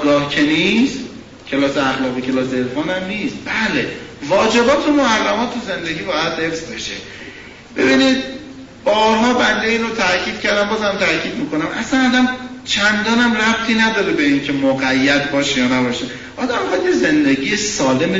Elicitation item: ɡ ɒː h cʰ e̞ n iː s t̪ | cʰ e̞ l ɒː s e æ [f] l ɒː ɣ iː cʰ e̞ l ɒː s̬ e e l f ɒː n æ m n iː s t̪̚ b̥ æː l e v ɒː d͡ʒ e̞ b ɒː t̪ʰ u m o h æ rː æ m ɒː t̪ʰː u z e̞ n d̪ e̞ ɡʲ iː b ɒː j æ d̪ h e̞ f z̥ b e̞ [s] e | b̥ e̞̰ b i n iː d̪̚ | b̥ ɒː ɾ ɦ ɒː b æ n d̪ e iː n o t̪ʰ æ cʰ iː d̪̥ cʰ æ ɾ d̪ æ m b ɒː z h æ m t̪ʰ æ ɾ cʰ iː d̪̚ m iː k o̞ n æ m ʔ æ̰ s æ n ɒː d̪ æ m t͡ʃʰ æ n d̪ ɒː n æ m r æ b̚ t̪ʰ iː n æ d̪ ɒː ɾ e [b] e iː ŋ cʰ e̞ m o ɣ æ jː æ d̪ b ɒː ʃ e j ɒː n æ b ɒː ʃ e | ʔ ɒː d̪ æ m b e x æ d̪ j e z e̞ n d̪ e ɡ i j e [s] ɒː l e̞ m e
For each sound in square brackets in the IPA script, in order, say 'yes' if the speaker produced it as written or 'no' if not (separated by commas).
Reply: no, no, yes, yes